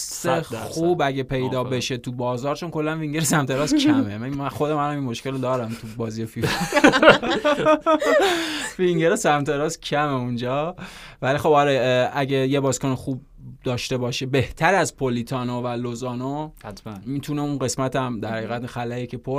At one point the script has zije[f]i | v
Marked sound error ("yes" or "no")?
no